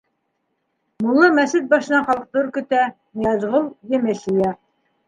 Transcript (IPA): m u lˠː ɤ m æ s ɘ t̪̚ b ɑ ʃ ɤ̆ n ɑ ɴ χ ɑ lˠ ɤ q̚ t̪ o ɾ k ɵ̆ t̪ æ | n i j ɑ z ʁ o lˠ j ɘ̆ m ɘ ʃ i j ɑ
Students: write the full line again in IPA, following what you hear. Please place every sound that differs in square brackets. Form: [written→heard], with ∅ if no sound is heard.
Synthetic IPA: m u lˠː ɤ m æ s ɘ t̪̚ b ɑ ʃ ɤ̆ n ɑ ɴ χ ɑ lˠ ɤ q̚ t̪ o ɾ k ɵ̆ t̪ æ | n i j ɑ z ʁ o lˠ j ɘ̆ m ɘ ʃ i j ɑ